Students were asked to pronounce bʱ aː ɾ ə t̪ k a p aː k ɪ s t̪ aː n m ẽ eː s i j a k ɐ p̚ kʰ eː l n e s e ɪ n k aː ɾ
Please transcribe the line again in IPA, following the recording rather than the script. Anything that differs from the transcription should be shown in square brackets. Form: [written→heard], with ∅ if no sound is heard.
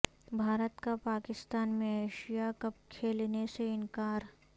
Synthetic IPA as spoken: bʱ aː ɾ ə t̪ k a p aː k ɪ s t̪ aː n m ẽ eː [s→ʃ] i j a k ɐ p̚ kʰ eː l n e s e ɪ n k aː ɾ